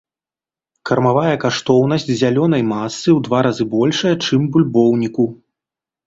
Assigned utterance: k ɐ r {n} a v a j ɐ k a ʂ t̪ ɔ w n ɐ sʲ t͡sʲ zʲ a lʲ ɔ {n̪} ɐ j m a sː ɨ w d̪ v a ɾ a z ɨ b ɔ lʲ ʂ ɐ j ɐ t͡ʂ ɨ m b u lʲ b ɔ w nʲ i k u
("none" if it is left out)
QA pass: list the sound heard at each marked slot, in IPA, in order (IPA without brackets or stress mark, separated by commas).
m, n̪